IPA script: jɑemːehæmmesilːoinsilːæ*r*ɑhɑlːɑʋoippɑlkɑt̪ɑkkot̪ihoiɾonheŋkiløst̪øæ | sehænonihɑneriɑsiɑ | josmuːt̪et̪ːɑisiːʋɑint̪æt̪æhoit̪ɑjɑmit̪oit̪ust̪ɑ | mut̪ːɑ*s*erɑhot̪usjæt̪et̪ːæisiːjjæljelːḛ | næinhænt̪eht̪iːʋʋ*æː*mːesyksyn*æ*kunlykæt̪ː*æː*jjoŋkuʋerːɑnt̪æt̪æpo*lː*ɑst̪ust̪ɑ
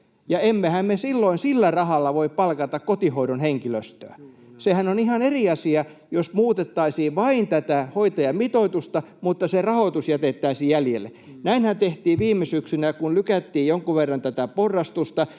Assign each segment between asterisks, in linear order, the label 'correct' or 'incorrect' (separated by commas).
correct, correct, incorrect, correct, incorrect, incorrect